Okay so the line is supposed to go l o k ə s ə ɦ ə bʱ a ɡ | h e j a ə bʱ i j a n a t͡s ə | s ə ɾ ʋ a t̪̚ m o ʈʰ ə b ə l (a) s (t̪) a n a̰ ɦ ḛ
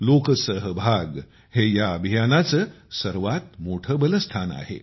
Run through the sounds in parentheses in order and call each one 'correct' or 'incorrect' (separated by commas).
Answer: incorrect, incorrect